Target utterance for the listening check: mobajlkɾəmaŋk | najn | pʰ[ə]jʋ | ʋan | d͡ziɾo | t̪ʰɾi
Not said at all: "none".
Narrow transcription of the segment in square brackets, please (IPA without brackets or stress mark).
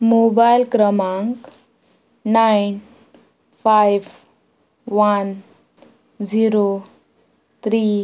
a